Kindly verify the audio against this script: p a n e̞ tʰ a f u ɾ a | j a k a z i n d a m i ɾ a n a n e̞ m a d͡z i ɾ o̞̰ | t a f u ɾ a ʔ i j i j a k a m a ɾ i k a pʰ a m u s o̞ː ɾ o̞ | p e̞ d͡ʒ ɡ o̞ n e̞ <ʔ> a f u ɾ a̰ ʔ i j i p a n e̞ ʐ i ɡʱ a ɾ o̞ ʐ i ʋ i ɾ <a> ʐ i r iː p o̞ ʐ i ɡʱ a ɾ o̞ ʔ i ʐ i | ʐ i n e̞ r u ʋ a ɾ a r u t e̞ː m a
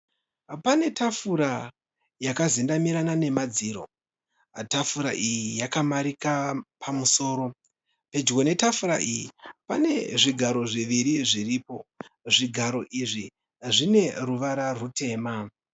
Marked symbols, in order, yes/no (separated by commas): no, no